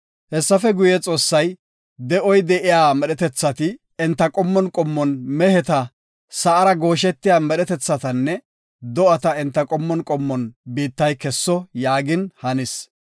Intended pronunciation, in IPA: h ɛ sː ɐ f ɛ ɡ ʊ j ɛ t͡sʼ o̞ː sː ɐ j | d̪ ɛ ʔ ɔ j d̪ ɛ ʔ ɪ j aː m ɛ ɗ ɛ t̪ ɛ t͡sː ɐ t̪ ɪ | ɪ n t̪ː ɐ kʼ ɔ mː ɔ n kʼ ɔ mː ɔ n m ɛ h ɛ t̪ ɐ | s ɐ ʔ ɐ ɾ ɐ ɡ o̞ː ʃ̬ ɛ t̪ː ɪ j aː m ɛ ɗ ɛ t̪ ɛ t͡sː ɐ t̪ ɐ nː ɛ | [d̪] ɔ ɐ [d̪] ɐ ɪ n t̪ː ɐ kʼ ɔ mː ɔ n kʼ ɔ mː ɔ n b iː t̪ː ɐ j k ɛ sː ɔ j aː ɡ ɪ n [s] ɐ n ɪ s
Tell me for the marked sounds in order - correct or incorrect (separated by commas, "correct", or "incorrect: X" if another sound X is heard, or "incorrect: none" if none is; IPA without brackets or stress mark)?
correct, incorrect: t̪, incorrect: h